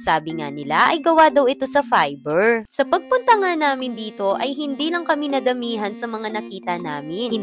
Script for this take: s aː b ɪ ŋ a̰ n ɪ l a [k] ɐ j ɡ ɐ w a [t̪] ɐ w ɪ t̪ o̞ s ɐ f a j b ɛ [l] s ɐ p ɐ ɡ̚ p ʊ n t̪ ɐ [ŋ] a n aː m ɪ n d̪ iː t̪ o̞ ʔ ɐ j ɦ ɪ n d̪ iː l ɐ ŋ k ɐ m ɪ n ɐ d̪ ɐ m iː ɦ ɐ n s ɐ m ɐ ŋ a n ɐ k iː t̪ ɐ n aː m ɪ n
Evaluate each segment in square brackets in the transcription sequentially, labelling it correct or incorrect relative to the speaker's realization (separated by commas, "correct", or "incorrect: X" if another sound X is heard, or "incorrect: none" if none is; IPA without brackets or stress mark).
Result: incorrect: ʔ, incorrect: d̪, incorrect: ɹ, correct